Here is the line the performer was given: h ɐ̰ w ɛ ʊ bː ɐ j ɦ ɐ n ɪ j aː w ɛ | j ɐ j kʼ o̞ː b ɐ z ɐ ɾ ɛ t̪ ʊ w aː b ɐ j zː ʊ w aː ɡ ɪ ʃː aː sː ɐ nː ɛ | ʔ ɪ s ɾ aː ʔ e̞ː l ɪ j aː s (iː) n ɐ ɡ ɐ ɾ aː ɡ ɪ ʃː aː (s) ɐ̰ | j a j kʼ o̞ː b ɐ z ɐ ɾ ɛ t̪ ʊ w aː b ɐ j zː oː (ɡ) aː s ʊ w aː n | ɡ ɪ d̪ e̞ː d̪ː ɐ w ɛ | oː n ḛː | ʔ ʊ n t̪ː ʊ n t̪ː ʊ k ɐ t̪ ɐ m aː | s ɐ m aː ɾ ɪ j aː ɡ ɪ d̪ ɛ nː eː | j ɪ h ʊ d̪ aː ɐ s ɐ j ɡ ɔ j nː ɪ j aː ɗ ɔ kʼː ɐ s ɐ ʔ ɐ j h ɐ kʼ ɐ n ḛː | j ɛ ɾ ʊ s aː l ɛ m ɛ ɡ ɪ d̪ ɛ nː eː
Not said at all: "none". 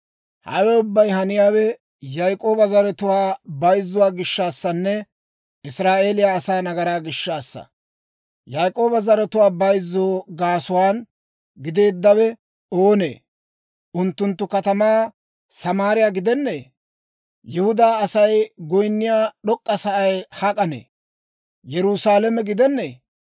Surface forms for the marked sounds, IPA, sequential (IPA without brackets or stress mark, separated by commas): aː, sː, ɡ